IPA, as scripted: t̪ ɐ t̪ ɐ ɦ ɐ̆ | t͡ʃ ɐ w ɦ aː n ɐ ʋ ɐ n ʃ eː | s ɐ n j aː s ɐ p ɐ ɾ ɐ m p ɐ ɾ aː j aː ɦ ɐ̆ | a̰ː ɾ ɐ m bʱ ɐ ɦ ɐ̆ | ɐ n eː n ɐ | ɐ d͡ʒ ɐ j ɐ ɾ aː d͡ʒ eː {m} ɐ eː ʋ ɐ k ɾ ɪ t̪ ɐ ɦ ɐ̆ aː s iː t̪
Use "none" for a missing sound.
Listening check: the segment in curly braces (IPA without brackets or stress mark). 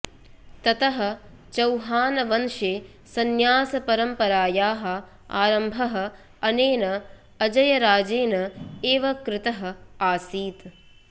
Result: n